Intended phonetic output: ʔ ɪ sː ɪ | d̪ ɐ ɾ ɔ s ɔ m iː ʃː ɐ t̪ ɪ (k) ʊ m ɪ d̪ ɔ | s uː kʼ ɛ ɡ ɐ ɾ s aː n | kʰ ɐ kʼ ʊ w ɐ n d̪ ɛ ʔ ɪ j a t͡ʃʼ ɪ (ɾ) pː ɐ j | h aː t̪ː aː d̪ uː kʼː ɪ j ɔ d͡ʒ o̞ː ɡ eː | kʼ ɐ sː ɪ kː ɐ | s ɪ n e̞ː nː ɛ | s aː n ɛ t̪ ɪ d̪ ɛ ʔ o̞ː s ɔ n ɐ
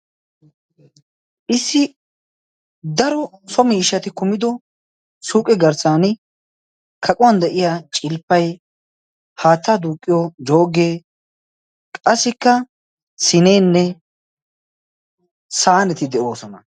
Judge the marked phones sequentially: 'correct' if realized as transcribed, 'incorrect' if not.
correct, incorrect: l

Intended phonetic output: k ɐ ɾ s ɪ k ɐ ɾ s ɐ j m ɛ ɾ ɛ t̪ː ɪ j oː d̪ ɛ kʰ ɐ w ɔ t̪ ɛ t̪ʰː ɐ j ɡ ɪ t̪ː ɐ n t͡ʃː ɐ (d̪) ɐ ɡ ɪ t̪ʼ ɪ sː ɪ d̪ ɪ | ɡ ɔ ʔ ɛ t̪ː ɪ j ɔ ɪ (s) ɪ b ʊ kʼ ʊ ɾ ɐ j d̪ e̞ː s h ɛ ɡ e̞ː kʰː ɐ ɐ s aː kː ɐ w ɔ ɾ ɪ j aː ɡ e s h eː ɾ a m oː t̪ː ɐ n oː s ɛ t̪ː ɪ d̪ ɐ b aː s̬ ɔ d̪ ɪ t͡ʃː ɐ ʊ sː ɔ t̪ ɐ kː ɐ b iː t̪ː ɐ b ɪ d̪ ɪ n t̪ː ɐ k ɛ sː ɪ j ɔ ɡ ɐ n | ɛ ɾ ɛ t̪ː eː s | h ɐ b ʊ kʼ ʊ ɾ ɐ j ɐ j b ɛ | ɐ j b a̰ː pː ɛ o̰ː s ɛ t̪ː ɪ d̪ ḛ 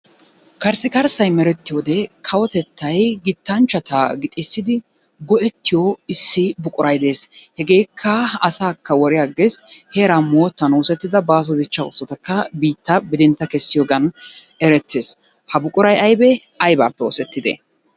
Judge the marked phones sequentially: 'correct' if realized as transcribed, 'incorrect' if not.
incorrect: t̪, incorrect: sː

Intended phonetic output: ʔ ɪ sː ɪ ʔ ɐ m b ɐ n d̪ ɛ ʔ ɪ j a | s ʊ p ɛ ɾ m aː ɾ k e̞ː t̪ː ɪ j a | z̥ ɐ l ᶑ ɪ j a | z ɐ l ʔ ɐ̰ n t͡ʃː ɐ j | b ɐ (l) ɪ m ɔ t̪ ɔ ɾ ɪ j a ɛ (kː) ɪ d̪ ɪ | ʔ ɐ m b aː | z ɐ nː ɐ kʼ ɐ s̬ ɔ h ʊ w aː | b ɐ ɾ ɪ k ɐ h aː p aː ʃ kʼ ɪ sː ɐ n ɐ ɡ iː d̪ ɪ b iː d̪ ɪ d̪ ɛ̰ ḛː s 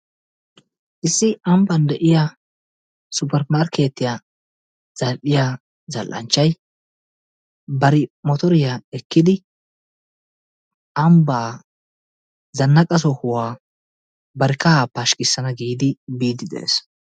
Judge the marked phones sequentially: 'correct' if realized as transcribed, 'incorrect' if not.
incorrect: ɾ, correct

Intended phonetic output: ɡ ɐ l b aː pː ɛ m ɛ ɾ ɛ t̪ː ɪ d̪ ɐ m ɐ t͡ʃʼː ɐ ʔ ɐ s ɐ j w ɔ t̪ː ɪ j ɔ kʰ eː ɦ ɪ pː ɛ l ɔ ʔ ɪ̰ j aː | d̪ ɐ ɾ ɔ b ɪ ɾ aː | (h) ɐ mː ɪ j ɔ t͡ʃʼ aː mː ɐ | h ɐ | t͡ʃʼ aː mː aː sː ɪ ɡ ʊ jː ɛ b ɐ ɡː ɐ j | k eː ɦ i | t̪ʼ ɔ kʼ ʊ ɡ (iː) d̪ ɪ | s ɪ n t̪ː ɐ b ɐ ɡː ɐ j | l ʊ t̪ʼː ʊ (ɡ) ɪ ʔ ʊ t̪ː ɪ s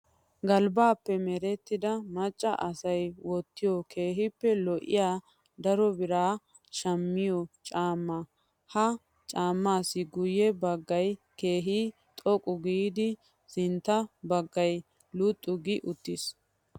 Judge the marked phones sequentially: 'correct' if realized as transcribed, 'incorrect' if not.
incorrect: ʃ, correct, correct

